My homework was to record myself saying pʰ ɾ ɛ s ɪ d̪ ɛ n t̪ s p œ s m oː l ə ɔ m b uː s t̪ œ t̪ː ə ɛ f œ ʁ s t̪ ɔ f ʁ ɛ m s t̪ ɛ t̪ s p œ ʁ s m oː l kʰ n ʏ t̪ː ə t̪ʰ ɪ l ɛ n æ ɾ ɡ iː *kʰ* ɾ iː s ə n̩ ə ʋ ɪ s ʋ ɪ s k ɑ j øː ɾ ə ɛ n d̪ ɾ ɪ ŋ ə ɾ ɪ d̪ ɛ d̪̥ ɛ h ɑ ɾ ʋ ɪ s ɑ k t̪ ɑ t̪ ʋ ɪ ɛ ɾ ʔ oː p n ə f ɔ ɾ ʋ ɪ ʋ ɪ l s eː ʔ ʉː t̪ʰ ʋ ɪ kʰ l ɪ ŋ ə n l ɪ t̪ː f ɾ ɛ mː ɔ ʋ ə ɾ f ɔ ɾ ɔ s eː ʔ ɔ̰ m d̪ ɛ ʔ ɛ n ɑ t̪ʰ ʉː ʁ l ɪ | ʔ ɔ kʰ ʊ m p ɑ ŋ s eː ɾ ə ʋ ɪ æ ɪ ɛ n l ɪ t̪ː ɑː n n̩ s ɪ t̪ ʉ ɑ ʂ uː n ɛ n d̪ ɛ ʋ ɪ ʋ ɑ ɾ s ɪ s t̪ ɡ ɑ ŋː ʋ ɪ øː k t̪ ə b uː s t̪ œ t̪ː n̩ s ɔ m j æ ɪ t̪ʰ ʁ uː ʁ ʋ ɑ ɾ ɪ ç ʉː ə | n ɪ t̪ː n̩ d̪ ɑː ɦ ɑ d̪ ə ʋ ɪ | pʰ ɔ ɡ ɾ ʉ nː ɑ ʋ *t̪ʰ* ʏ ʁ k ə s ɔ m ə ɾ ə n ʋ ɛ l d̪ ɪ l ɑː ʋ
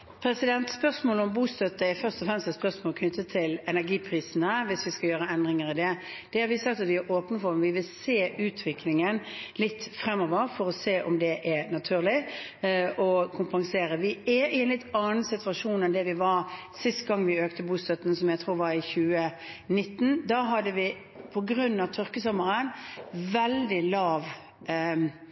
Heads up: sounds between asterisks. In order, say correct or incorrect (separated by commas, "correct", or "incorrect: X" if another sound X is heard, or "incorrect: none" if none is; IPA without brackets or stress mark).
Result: incorrect: pʰ, correct